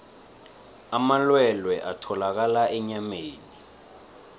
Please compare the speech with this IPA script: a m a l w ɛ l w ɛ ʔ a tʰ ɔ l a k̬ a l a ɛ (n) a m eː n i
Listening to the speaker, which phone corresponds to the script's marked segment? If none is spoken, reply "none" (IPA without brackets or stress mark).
ɲ